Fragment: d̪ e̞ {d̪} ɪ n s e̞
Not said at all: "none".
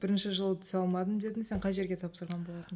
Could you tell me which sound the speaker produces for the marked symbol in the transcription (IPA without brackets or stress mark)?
d̪